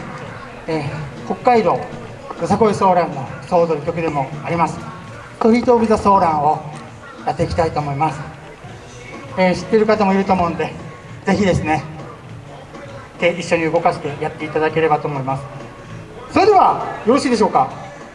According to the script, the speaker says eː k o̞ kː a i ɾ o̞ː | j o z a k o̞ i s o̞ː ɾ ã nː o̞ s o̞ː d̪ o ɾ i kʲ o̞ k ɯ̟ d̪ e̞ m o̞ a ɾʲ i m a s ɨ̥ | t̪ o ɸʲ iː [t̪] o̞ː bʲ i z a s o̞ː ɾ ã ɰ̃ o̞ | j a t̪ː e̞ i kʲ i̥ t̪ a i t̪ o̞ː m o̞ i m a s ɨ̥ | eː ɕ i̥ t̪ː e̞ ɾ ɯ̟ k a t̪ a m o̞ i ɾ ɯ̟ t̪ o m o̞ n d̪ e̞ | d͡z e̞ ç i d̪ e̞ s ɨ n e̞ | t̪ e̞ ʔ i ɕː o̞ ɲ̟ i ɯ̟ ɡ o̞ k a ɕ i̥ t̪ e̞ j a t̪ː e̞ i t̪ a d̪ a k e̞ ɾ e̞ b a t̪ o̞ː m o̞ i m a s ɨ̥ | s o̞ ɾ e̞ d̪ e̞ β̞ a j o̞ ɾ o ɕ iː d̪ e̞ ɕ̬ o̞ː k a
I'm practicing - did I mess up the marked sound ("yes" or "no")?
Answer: no